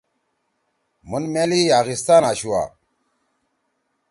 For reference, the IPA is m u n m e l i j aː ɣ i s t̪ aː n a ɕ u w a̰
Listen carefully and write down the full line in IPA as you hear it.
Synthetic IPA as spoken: m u n m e l i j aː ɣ i s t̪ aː n a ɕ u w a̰